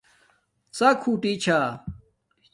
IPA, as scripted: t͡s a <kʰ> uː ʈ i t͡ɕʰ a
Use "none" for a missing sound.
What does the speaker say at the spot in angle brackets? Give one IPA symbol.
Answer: kʰ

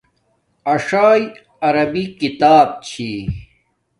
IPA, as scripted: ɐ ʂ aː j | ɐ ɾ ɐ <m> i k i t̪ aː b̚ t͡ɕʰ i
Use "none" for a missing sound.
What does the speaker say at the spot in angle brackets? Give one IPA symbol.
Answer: b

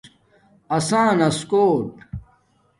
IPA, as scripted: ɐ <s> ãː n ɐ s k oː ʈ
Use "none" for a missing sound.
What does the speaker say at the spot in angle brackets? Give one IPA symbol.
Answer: s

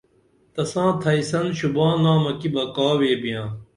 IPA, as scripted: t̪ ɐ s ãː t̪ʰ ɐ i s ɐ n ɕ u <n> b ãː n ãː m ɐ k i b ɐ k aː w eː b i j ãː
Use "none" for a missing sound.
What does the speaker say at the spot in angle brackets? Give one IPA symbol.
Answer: none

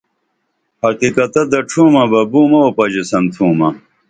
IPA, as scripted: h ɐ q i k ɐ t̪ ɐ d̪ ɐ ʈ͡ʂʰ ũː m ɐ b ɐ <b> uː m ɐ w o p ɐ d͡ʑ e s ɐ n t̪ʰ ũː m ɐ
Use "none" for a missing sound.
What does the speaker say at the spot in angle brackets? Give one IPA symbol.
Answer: b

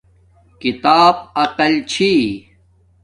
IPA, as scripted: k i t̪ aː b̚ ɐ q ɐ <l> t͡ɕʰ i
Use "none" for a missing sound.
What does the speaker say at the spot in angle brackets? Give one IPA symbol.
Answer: l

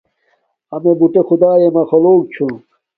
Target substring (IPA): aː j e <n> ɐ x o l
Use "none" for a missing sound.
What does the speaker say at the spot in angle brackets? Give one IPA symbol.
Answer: m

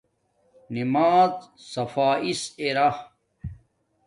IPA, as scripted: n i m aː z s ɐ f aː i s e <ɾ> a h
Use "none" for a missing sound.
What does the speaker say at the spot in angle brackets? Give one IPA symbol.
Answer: ɾ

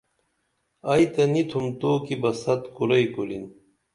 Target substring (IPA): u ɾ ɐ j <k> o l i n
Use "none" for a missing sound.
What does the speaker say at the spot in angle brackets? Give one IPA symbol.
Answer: k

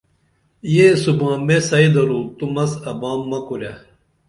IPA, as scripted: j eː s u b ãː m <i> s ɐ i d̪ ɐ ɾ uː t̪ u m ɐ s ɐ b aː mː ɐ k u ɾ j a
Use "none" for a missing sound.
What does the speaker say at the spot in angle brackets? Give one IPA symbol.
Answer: e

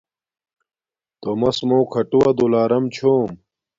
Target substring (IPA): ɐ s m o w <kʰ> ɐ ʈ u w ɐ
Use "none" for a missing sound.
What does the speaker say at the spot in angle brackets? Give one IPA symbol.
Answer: kʰ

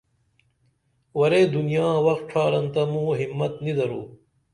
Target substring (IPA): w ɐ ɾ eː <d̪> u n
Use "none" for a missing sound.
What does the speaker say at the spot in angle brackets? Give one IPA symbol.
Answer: d̪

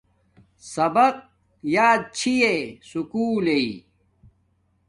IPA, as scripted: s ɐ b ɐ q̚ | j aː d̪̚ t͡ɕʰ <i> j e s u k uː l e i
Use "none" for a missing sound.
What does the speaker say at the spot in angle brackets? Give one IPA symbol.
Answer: i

